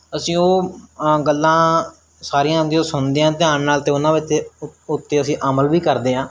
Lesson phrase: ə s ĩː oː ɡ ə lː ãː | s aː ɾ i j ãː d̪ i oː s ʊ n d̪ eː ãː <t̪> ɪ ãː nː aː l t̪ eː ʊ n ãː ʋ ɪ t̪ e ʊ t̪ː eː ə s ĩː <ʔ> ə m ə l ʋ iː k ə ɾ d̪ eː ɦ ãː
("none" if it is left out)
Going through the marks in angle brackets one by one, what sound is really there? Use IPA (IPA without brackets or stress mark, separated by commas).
t̪, ʔ